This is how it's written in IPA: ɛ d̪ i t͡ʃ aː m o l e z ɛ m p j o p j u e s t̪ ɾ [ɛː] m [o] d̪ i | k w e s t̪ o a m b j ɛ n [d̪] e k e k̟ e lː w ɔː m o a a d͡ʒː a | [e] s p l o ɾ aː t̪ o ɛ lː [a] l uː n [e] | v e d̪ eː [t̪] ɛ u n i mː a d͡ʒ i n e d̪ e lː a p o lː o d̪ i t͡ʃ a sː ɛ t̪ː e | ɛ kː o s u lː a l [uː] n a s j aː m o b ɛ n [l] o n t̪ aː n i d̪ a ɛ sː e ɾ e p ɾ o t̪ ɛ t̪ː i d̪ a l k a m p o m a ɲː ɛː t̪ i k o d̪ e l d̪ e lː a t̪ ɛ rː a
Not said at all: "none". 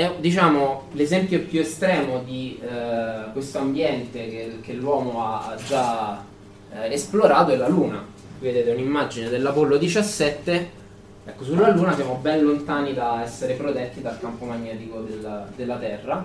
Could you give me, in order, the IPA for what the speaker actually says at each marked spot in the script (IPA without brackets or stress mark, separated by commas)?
ɛː, o, t̪, e, a, a, t̪, uː, l